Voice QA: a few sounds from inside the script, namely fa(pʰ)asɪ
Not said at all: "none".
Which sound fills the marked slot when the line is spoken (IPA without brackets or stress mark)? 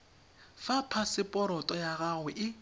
pʰ